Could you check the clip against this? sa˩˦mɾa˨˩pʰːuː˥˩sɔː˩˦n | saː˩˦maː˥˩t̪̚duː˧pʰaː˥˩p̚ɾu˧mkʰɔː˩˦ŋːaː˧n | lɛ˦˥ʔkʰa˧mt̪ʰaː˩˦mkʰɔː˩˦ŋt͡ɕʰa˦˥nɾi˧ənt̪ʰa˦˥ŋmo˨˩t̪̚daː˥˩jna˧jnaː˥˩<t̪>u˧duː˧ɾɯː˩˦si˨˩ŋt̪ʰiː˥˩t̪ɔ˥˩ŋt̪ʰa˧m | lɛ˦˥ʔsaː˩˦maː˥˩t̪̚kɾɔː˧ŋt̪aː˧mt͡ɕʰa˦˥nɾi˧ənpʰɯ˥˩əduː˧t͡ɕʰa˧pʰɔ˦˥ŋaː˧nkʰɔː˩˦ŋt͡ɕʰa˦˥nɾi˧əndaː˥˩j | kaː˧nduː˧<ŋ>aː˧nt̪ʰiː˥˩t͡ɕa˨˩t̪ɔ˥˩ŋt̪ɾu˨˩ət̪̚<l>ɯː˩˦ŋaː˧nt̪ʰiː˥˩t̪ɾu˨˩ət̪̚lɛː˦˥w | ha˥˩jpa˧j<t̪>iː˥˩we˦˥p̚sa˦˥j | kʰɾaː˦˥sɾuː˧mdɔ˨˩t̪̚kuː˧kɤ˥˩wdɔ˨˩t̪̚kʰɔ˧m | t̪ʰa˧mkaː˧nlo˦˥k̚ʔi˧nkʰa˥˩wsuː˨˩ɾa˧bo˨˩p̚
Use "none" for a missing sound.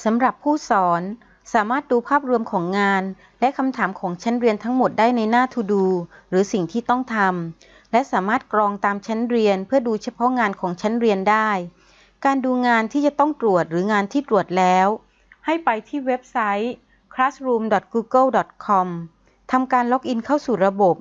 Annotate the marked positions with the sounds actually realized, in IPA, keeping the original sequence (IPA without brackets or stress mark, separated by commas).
t̪ʰ, ŋ, ɾ, t̪ʰ